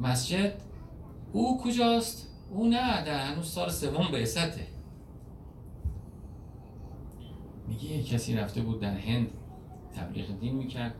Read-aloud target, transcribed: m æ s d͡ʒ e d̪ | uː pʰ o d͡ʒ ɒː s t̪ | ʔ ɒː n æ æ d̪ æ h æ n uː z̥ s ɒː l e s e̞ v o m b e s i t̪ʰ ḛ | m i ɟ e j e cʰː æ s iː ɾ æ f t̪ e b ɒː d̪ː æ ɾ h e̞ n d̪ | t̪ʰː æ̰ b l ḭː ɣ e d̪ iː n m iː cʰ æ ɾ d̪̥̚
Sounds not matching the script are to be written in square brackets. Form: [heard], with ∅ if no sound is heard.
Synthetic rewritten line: m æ s d͡ʒ e d̪ | uː [kʰ] o d͡ʒ ɒː s t̪ | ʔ [uː] n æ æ d̪ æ h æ n uː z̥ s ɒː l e s e̞ v o m b e s [æ] t̪ʰ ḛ | m i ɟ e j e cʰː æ s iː ɾ æ f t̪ e b [uː] d̪ː æ ɾ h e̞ n d̪ | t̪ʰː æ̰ b l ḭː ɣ e d̪ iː n m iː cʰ æ ɾ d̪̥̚